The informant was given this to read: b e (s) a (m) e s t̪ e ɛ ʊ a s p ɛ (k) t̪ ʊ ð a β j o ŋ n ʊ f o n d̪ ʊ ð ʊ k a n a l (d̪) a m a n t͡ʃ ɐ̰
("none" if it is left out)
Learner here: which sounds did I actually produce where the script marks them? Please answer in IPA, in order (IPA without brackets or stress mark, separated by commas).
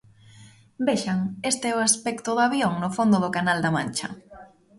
ʃ, ŋ, k, d̪